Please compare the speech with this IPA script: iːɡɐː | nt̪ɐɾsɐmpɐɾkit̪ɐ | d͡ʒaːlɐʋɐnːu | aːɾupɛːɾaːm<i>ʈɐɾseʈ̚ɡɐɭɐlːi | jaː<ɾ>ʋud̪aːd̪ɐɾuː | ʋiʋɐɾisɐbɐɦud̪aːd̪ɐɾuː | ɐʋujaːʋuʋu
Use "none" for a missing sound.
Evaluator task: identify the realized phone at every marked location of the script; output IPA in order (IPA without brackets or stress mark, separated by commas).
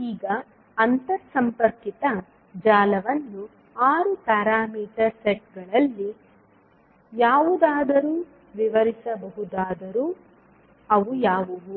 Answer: iː, none